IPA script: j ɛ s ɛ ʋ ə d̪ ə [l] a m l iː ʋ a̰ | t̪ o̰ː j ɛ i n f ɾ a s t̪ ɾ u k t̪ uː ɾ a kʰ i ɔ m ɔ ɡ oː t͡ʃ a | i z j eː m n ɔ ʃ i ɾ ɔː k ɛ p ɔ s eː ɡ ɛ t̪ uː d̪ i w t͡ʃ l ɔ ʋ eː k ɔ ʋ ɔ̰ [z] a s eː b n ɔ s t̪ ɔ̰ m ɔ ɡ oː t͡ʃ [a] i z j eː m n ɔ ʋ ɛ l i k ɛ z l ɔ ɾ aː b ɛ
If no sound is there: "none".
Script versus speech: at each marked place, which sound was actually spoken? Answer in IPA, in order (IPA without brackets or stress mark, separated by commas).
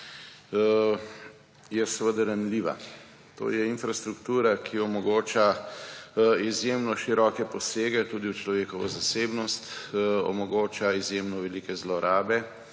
ɾ, z, a